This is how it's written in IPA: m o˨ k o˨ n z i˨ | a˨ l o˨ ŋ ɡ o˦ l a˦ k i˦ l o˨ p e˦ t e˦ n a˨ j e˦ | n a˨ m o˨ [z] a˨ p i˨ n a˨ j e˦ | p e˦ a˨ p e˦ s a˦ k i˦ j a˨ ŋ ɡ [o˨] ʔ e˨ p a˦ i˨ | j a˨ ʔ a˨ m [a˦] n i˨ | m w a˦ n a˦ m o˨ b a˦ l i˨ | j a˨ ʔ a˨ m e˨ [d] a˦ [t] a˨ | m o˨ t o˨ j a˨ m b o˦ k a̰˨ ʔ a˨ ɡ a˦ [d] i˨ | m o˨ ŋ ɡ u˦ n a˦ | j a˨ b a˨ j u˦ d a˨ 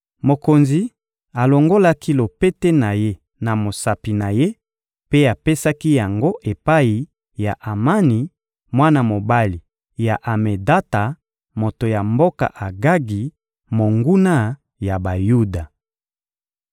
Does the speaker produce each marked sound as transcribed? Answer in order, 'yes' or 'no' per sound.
no, no, yes, yes, yes, no

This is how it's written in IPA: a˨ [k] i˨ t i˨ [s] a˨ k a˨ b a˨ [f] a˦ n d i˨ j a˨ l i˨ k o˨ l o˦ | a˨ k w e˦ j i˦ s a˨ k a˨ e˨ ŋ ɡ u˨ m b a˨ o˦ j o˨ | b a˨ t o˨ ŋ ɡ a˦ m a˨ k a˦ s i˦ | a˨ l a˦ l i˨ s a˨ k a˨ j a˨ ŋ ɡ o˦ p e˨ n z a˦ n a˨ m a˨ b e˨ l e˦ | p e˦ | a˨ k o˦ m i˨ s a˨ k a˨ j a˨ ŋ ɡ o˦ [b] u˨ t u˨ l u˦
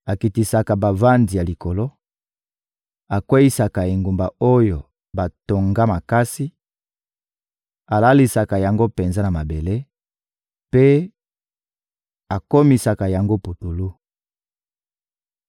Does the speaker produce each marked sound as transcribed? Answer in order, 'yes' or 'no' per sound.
yes, yes, no, no

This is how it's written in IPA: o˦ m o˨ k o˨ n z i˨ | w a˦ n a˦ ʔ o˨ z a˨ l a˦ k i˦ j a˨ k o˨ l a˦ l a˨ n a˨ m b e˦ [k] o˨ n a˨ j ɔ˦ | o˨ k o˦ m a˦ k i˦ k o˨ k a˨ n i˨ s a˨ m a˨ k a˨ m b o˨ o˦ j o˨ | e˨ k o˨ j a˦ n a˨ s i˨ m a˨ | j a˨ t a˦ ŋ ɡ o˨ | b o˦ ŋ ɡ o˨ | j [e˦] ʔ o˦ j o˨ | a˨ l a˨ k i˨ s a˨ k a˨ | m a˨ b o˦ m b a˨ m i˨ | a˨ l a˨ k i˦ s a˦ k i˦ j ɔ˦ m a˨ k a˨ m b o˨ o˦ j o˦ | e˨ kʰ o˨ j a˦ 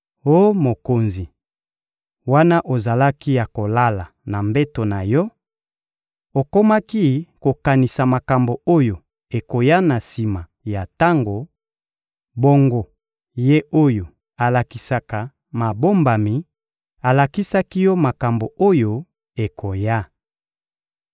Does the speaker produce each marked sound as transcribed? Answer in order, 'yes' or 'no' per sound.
no, yes

